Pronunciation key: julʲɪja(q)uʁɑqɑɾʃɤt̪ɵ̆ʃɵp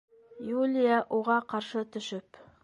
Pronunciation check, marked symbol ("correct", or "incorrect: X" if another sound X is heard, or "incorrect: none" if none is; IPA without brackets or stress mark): incorrect: ʔ